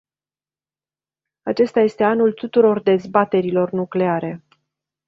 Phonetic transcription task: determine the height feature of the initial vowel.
low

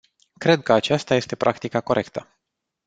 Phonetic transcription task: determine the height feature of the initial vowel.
mid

